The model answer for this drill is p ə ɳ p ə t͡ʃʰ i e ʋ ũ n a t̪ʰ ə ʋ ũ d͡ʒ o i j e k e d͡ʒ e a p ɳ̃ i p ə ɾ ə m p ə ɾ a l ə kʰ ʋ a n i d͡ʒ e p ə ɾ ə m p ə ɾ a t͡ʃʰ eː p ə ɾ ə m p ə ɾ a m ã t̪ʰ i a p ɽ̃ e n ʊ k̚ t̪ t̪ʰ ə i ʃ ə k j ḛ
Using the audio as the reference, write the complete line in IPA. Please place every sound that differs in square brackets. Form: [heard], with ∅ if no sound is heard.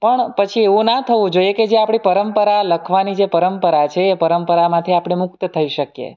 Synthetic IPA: p ə ɳ p ə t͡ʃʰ i e ʋ ũ n a t̪ʰ ə ʋ ũ d͡ʒ o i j e k e d͡ʒ e a p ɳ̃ i p ə ɾ ə m p ə ɾ a l ə kʰ ʋ a n i d͡ʒ e p ə ɾ ə m p ə ɾ a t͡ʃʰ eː p ə ɾ ə m p ə ɾ a m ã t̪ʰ i a p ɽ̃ e [m] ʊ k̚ t̪ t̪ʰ ə i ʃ ə k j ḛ